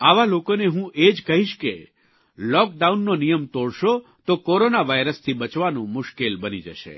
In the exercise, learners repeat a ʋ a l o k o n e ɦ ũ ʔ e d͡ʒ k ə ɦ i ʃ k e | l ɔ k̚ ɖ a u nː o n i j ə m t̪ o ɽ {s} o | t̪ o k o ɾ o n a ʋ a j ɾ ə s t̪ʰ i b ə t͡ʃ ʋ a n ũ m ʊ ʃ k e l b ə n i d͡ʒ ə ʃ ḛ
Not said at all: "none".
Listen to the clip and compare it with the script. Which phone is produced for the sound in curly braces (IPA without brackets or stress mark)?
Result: ʃ